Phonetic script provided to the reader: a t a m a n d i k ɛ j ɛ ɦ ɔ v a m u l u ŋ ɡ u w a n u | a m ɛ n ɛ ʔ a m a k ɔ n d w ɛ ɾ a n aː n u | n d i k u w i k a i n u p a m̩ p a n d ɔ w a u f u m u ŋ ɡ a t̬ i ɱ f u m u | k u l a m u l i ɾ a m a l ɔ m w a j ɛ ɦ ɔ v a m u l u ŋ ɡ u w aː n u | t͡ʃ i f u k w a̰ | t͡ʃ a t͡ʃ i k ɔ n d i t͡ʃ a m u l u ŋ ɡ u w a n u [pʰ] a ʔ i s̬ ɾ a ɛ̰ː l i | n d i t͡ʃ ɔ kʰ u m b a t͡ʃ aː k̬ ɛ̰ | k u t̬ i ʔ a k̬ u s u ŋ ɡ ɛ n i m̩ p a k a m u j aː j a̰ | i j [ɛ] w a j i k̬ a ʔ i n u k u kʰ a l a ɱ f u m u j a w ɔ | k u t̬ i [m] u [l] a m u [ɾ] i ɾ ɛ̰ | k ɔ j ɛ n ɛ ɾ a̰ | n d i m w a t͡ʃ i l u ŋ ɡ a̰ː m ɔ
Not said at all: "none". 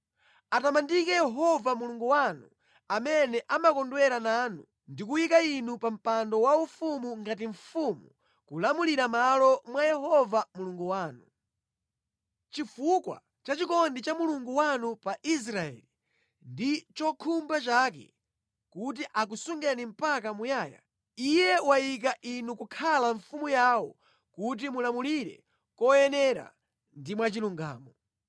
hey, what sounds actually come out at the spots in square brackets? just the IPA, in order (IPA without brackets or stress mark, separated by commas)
p, ɛ, m, l, l